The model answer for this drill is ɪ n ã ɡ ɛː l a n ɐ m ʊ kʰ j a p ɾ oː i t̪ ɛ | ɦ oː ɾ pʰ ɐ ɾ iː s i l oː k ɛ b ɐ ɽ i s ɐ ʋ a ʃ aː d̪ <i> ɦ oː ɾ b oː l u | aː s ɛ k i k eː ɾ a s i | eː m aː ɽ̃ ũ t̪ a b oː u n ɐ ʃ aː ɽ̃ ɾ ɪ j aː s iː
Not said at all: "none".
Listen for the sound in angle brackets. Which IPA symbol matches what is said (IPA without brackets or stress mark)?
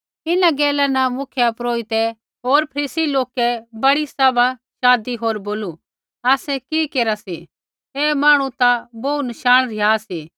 i